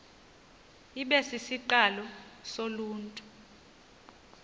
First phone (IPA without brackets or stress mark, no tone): i